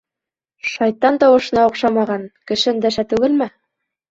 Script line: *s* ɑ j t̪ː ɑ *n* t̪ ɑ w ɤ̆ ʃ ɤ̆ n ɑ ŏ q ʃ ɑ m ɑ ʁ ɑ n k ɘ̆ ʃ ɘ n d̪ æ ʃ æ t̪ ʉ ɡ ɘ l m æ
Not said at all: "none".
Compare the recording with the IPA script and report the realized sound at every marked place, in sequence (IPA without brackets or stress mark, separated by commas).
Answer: ʃ, n